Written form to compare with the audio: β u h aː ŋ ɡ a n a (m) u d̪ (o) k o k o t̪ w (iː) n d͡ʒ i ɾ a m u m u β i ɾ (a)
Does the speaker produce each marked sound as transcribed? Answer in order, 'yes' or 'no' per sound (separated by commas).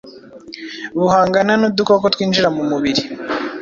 no, no, yes, no